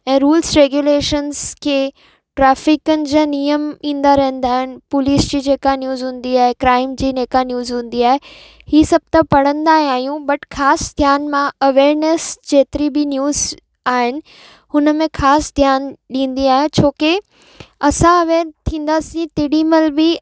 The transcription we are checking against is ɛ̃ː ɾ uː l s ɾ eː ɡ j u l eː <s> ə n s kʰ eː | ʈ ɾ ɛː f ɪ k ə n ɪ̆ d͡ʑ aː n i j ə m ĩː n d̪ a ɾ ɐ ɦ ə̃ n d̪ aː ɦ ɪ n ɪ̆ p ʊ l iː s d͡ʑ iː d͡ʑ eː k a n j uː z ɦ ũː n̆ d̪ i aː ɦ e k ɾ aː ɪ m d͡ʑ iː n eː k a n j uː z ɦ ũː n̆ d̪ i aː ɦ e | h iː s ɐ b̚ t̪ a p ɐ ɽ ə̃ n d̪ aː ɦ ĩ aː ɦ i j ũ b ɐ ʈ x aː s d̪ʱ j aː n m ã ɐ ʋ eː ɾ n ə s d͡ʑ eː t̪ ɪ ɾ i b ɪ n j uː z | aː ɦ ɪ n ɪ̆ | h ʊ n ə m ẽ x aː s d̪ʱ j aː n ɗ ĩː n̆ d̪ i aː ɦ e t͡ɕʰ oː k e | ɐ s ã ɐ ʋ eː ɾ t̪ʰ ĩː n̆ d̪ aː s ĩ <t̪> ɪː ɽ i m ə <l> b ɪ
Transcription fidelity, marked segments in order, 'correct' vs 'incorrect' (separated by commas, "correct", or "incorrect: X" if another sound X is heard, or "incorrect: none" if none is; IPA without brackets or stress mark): incorrect: ʃ, correct, correct